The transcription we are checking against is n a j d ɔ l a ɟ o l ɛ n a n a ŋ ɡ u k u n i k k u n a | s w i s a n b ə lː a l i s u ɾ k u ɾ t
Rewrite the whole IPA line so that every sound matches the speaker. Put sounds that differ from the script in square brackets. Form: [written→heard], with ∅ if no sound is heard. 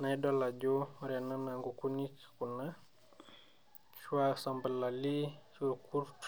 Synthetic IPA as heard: n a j d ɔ l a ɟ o [l→ɾ] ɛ n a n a ŋ ɡ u k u n i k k u n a | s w [i→a] s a [n→m] b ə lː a l i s u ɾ k u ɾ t